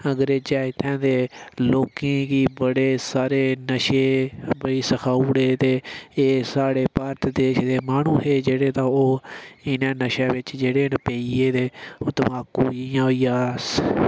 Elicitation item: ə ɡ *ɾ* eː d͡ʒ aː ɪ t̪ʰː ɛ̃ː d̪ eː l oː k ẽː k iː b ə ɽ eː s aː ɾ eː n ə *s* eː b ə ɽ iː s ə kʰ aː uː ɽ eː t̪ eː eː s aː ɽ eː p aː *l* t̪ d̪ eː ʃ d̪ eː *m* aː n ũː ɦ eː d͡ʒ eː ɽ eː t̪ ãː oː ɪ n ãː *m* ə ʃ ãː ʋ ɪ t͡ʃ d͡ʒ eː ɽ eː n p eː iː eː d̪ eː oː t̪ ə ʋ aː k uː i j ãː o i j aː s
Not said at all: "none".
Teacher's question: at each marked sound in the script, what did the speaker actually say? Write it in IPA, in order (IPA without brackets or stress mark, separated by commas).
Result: ɾ, ʃ, ɾ, m, n